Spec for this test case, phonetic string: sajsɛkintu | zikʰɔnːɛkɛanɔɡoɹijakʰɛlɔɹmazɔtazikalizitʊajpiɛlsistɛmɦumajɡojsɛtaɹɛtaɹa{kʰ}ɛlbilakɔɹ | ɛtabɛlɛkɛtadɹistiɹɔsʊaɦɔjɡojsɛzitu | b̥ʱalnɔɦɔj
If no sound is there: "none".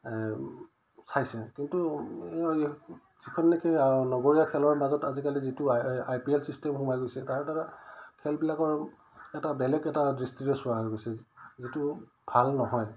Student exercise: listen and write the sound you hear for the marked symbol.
kʰ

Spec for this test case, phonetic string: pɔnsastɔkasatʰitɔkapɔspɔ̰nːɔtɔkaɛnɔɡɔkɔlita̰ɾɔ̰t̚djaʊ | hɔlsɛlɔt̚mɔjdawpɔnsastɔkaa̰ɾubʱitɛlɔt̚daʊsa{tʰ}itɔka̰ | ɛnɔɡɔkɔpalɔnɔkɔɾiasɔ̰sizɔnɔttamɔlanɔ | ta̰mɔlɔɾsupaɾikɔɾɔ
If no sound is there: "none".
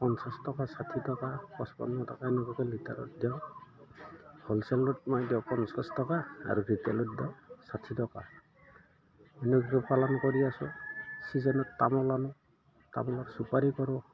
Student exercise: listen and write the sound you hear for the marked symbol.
tʰ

